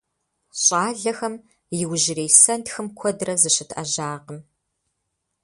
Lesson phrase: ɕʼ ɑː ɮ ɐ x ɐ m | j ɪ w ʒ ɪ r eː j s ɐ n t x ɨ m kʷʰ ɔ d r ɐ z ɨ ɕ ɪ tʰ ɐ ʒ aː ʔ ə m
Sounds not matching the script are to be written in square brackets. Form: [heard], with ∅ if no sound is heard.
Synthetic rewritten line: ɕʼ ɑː ɮ ɐ x ɐ m | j ɪ w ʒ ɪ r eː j s ɐ n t x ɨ m kʷʰ ɔ d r ɐ z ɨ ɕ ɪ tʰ ɐ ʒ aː [q] ə m